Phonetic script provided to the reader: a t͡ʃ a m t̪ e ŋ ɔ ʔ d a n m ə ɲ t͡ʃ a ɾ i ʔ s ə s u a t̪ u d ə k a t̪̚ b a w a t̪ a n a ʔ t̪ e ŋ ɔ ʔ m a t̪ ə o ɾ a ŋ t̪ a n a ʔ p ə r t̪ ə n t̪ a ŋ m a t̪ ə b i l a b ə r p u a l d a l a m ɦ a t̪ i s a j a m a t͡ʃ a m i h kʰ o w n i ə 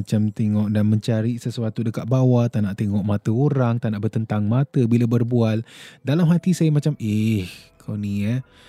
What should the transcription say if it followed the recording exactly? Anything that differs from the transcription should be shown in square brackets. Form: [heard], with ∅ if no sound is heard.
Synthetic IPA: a t͡ʃ a m t̪ e ŋ ɔ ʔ d a n m ə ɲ t͡ʃ a ɾ i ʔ s ə s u a t̪ u d ə k a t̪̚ b a w a t̪ a n a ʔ t̪ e ŋ ɔ ʔ m a t̪ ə o ɾ a ŋ t̪ a n a ʔ [b] ə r t̪ ə n t̪ a ŋ m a t̪ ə b i l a b ə r [b] u a l d a l a m ɦ a t̪ i s a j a m a t͡ʃ a m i h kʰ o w n i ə